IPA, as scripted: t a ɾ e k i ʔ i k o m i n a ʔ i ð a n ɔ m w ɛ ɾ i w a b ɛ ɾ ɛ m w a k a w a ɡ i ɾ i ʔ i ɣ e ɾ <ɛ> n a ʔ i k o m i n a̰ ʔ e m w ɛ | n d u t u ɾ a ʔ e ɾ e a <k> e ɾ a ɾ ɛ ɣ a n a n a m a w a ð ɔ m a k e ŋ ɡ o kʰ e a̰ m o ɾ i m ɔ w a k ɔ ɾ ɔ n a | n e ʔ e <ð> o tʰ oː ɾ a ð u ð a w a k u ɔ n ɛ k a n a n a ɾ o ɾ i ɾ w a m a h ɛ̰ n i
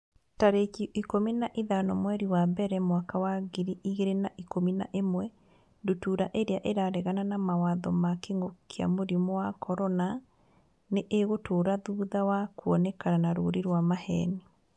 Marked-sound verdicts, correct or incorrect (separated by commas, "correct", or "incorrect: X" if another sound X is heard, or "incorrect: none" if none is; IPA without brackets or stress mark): incorrect: e, incorrect: ʔ, incorrect: ɣ